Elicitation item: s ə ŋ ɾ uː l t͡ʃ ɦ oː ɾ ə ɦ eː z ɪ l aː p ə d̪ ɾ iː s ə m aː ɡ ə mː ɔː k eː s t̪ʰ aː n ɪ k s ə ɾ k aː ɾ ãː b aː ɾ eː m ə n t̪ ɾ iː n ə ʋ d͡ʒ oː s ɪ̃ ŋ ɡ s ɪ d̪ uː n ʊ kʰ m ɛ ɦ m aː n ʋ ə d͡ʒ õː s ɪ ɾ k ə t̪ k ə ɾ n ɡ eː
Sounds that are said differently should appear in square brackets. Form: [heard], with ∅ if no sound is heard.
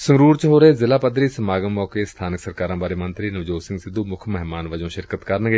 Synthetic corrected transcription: s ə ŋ ɾ uː [ɾ] t͡ʃ ɦ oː ɾ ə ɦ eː z ɪ l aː p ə d̪ ɾ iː s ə m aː ɡ ə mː ɔː k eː s t̪ʰ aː n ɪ k s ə ɾ k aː ɾ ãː b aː ɾ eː m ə n t̪ ɾ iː n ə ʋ d͡ʒ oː s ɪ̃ ŋ ɡ s ɪ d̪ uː [m] ʊ kʰ m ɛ ɦ m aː n ʋ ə d͡ʒ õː [ʃ] ɪ ɾ k ə t̪ k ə ɾ n ɡ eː